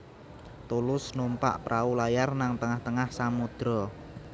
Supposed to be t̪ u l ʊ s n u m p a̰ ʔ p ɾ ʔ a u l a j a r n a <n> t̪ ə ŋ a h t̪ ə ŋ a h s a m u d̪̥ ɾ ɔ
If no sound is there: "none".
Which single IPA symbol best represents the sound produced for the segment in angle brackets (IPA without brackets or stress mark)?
ŋ